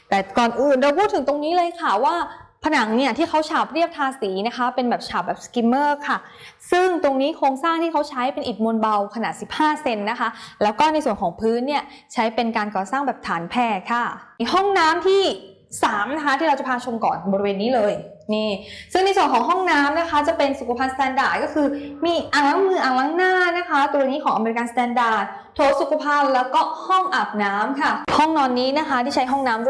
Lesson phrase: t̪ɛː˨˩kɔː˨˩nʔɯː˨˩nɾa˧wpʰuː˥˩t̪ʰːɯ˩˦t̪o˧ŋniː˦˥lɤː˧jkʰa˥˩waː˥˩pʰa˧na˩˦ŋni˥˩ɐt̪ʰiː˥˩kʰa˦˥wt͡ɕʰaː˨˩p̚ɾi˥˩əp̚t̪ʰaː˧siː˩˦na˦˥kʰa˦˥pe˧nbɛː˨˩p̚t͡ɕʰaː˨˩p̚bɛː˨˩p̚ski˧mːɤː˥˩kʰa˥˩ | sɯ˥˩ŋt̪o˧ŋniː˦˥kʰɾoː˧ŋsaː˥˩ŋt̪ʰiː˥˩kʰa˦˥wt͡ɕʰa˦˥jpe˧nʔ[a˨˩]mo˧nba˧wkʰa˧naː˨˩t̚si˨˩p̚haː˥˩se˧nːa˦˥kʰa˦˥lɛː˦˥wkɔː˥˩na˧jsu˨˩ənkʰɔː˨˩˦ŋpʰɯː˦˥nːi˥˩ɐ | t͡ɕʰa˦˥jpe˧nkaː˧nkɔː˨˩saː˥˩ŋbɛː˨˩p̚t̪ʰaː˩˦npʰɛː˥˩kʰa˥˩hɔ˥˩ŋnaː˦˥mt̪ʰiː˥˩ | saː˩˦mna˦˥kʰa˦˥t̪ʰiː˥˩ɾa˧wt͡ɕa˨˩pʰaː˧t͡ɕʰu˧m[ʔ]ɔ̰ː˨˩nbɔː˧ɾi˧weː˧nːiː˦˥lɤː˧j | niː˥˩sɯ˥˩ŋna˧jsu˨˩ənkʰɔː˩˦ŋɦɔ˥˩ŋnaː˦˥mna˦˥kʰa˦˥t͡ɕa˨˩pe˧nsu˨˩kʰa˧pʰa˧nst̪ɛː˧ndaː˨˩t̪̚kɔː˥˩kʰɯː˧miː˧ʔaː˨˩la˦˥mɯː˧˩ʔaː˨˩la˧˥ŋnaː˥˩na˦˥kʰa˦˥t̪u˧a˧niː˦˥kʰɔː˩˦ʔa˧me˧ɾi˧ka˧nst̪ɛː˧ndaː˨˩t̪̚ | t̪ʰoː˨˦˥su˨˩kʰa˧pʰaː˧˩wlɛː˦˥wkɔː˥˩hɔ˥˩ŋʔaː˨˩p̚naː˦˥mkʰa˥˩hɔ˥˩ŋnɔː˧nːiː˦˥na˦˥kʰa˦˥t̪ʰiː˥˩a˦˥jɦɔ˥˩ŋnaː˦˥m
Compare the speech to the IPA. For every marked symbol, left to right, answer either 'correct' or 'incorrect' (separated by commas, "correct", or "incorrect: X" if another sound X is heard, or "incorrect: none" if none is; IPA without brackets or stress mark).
incorrect: i˨˩, incorrect: k